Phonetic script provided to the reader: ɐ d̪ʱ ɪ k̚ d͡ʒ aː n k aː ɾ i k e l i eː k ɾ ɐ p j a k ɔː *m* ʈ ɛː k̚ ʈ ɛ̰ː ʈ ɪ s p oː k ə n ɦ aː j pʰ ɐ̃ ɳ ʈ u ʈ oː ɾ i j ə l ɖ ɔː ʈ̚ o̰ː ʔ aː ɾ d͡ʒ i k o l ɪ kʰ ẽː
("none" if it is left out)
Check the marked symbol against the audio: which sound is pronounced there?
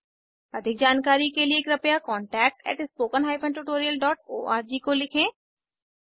ɳ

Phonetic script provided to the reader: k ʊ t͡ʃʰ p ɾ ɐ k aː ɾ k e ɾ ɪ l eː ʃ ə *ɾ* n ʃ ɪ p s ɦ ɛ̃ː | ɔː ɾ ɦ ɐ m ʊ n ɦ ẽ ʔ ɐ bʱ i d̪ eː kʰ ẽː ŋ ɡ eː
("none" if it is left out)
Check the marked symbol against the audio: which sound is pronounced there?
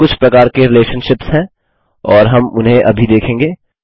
none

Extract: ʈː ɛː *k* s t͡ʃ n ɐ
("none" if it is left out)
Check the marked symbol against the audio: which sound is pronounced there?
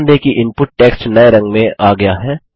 k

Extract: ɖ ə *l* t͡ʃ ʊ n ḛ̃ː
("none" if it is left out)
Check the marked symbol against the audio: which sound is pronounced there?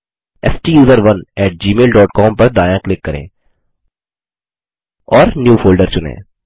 ɾ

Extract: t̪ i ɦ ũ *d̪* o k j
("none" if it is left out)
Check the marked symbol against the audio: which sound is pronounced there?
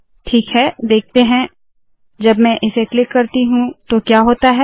t̪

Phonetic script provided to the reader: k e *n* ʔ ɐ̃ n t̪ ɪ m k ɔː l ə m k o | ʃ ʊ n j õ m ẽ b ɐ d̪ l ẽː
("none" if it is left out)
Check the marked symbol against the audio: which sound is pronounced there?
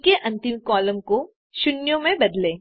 none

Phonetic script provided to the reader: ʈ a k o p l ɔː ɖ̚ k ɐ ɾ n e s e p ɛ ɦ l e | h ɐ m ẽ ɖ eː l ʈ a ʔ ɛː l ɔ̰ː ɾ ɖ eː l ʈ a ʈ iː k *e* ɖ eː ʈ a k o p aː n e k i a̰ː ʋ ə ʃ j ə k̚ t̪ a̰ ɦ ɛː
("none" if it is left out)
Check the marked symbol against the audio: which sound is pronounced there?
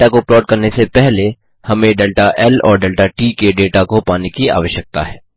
e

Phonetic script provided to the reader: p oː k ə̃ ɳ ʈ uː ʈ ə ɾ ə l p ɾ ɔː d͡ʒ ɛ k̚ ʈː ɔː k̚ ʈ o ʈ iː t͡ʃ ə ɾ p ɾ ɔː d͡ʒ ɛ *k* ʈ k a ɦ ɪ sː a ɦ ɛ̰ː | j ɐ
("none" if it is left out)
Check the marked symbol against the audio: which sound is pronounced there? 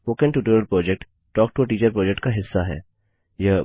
k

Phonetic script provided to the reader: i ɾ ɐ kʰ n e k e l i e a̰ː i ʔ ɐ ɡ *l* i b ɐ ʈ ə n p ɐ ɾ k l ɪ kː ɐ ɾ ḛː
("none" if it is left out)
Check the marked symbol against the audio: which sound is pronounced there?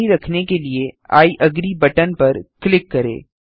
ɾ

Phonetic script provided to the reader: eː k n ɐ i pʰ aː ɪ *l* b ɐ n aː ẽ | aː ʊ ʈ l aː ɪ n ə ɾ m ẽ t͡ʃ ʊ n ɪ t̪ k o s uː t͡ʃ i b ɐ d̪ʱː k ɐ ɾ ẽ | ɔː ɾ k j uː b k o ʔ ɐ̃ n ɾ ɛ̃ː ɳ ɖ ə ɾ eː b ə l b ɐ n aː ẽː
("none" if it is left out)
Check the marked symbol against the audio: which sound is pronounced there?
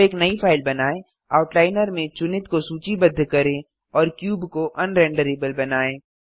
l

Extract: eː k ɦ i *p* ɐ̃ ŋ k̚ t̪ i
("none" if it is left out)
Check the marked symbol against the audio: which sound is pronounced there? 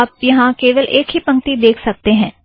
p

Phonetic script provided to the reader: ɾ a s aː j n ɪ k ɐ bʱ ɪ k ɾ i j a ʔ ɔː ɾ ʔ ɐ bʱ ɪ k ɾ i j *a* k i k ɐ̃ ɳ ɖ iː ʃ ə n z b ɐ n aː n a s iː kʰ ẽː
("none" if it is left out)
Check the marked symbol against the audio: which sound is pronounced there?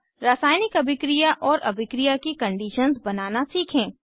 a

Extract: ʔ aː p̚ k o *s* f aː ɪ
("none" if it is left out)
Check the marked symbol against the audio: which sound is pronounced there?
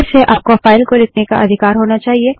none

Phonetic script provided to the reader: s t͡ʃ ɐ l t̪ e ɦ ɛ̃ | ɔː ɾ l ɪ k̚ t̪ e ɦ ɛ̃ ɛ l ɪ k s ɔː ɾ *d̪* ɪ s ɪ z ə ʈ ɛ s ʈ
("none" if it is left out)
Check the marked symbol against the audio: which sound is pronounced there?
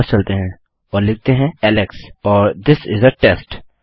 d̪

